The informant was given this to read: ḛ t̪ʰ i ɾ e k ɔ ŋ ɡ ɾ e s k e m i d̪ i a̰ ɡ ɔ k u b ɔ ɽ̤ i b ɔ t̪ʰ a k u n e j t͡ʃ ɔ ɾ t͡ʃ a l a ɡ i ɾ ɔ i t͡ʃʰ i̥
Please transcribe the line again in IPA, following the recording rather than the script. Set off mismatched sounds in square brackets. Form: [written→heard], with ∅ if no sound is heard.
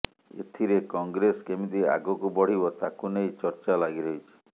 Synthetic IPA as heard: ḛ t̪ʰ i ɾ e k ɔ ŋ ɡ ɾ e s k e m i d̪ i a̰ ɡ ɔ k u b ɔ ɽ̤ i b ɔ [t̪ʰ→t̪] a k u n e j t͡ʃ ɔ ɾ t͡ʃ a l a ɡ i ɾ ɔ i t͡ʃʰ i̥